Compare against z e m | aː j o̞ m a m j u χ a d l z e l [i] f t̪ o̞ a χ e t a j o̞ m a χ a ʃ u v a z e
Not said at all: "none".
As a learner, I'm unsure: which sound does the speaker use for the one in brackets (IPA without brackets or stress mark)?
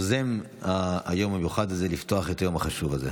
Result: i